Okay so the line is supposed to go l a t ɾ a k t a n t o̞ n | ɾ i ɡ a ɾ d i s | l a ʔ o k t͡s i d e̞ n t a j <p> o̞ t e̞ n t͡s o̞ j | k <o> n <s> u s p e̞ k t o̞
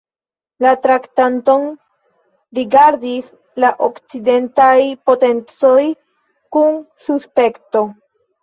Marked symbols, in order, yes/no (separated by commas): yes, no, yes